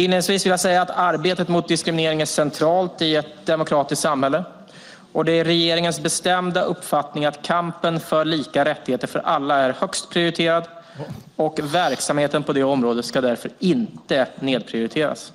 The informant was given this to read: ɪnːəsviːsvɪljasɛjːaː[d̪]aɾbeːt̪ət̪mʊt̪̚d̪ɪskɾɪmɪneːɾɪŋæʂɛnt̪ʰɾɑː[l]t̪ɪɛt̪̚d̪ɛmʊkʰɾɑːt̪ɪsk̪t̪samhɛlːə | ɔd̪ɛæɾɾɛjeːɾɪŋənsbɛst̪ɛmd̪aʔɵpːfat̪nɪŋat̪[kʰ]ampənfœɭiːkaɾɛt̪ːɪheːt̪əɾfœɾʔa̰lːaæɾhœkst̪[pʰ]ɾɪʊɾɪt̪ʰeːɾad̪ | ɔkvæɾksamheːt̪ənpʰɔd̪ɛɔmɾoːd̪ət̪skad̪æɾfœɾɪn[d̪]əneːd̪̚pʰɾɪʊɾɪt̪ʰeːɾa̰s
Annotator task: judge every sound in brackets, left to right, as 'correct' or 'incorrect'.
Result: incorrect: t̪, correct, correct, correct, incorrect: t̪

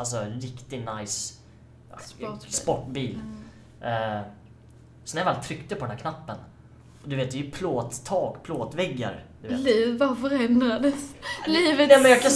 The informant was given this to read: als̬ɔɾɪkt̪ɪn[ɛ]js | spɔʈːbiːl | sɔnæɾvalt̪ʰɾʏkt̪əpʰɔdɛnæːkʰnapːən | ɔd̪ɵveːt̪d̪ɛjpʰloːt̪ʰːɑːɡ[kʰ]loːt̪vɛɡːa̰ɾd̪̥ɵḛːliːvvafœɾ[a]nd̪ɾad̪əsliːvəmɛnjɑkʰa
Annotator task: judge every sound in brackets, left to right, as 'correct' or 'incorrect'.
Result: incorrect: a, incorrect: pʰ, incorrect: ɛ

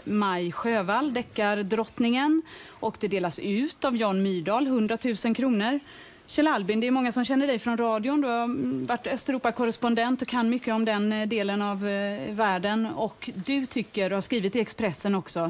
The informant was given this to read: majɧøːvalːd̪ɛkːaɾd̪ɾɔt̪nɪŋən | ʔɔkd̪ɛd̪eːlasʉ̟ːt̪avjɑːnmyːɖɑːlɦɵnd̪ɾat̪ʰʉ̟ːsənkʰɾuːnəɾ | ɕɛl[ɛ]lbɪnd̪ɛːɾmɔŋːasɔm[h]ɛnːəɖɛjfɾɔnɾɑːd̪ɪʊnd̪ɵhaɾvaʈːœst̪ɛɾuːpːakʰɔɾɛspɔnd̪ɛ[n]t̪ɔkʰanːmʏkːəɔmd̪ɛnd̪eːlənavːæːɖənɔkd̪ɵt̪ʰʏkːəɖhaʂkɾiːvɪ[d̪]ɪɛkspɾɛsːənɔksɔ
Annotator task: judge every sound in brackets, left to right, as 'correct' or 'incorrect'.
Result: incorrect: a, incorrect: ɕ, correct, incorrect: t̪

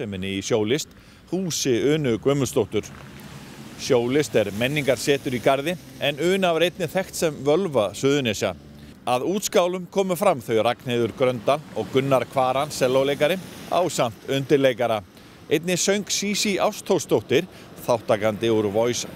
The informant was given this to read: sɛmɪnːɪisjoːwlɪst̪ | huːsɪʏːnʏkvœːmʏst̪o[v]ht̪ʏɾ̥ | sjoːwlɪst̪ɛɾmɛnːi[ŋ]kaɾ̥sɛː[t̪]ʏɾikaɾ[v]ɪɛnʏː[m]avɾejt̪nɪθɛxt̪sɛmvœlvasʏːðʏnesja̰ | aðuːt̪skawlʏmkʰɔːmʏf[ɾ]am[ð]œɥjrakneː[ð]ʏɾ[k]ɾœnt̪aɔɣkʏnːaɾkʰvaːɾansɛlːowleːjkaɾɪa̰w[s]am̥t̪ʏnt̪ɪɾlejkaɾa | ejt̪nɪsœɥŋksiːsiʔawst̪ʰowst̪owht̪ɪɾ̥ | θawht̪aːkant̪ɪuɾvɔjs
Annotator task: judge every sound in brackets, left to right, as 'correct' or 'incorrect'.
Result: incorrect: w, correct, correct, incorrect: ð, incorrect: n, correct, incorrect: θ, correct, correct, correct

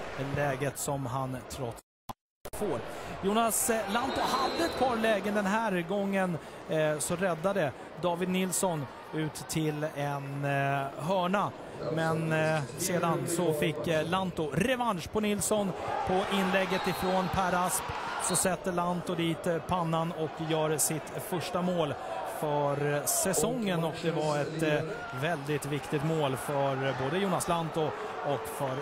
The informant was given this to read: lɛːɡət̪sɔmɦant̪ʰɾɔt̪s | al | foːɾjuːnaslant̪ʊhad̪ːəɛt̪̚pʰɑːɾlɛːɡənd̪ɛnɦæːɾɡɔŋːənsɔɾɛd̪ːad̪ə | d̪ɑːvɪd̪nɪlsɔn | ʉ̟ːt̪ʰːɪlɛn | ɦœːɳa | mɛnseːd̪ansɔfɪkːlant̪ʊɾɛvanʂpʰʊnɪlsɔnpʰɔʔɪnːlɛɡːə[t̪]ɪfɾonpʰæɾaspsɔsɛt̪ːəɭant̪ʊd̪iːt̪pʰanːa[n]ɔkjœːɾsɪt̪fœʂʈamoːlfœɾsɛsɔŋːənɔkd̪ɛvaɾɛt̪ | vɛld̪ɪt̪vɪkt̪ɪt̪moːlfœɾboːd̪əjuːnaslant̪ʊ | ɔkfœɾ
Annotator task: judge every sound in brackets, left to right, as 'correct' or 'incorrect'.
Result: correct, correct

